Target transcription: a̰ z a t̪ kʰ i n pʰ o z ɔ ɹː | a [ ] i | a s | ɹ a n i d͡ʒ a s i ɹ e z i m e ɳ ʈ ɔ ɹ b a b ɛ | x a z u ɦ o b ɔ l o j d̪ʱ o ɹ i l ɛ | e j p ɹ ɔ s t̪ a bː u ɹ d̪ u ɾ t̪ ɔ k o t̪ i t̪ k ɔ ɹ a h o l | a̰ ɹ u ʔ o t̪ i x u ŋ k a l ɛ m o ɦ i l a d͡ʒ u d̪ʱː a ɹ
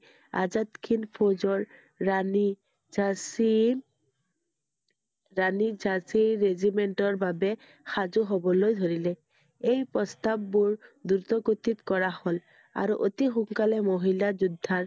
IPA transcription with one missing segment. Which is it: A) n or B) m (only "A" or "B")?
A